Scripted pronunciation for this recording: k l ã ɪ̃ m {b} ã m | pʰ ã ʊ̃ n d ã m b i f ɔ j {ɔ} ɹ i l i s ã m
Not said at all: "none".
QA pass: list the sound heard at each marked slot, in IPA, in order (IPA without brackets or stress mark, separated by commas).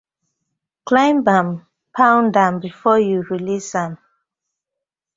b, u